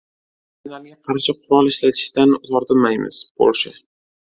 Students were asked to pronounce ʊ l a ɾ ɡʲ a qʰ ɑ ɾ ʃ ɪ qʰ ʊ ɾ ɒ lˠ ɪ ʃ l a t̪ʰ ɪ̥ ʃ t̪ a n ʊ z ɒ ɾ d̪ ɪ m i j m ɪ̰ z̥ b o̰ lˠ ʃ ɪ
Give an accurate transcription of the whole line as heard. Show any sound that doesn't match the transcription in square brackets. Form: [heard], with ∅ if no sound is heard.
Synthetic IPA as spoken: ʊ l a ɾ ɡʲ a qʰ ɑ ɾ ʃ ɪ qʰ ʊ ɾ ɒ lˠ ɪ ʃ l a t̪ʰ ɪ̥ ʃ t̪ a n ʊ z ɒ ɾ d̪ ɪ m [a] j m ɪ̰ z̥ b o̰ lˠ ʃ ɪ